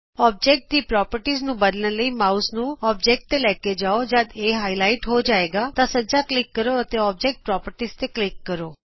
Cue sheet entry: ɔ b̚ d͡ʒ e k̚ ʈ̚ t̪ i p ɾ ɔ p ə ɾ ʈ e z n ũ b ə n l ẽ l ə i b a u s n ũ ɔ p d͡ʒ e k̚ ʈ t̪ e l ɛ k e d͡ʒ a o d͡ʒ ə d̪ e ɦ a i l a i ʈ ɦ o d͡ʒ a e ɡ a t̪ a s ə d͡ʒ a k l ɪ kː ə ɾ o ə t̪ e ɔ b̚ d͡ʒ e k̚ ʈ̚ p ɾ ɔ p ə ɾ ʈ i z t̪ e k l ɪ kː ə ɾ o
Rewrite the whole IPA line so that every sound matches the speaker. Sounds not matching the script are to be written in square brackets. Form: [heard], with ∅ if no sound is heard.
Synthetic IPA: ɔ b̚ d͡ʒ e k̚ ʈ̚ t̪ i p ɾ ɔ p ə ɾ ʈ [i] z n ũ b ə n l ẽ l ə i [m] a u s n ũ ɔ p d͡ʒ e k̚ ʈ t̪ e l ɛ k e d͡ʒ a o d͡ʒ [a] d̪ e ɦ a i l a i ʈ ɦ o d͡ʒ a e ɡ a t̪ a s ə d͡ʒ a k l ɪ kː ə ɾ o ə t̪ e ɔ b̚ d͡ʒ e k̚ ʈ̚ p ɾ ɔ p ə ɾ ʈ i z t̪ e k l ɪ kː ə ɾ o